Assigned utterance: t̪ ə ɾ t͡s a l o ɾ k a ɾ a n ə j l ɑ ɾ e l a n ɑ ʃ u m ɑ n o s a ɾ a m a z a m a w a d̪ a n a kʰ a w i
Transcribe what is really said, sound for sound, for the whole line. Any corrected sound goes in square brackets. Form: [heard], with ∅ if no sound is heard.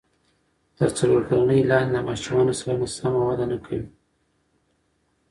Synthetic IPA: t̪ ə ɾ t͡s a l o ɾ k a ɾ a n ə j l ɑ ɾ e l a [m] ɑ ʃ u m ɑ n o s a ɾ a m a [s] a m a w a d̪ a n a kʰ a w i

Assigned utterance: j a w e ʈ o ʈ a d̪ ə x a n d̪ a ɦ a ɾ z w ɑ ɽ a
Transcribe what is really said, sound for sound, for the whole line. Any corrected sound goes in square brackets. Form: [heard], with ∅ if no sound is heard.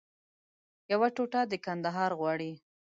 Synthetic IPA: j a w [a] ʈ o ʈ a d̪ ə [k] a n d̪ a ɦ [ɑ] ɾ [ɣ] w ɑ ɽ [i]

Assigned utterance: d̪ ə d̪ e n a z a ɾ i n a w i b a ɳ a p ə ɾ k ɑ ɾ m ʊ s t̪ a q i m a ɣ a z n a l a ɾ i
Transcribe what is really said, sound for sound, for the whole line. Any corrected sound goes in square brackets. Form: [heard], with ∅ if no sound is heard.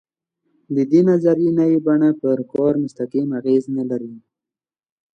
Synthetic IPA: d̪ ə d̪ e n a z a ɾ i n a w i b a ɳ a p ə ɾ k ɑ ɾ m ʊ s t̪ a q i m a ɣ [e] z n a l a ɾ i

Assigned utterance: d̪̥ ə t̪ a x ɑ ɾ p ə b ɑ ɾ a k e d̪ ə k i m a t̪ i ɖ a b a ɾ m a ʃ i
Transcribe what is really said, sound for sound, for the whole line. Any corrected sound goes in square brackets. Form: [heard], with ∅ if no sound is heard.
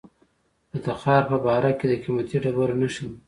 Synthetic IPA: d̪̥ ə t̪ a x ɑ ɾ p ə b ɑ ɾ a k e d̪ ə k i m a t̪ i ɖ a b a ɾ [n] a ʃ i

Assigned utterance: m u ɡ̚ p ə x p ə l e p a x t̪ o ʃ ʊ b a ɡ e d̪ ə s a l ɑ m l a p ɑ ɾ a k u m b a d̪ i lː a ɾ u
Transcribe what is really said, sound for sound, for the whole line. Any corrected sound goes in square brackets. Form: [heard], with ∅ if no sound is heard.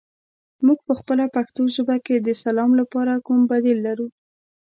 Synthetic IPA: m u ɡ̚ p ə x p ə l [a] p a x t̪ o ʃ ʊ b a [k] e d̪ ə s a l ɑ m l a p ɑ ɾ a k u m b a d̪ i lː a ɾ u

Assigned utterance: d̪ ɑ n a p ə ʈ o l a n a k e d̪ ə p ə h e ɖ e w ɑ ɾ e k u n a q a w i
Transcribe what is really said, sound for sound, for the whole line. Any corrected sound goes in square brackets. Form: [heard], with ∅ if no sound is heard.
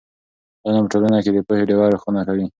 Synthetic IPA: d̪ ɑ n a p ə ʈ o l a n a k e d̪ ə p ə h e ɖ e w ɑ ɾ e [x] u n a [k] a w i

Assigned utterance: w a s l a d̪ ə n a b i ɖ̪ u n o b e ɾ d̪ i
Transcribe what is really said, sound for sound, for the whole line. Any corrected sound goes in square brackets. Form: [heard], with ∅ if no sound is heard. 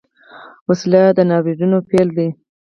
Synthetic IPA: w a s l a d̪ ə n [ɑ] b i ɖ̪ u n o [p] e [l] d̪ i

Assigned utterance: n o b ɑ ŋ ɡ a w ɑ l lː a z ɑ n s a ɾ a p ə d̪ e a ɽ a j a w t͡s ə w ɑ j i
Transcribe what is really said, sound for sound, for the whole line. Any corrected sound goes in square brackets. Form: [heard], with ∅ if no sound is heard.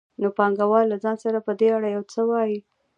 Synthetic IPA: n o [p] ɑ ŋ ɡ a w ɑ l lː a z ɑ n s a ɾ a p ə d̪ e a ɽ a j a w t͡s ə w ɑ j i

